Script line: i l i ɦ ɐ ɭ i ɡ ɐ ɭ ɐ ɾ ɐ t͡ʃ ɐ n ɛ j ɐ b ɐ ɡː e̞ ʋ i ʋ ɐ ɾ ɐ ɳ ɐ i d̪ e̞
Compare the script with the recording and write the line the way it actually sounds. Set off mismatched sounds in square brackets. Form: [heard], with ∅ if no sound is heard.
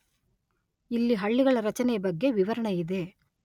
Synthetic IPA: i [lː] i ɦ ɐ [ɭː] i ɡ ɐ ɭ ɐ ɾ ɐ t͡ʃ ɐ n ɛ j ɐ b ɐ ɡː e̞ ʋ i ʋ ɐ ɾ ɐ ɳ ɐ i d̪ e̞